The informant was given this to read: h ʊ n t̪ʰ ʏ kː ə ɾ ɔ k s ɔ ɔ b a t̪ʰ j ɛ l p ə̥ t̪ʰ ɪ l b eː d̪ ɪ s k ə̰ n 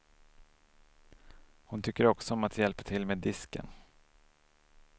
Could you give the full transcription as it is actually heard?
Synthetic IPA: h ʊ n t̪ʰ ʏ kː ə ɾ ɔ k s ɔ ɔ m a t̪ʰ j ɛ l p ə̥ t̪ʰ ɪ l m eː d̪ ɪ s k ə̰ n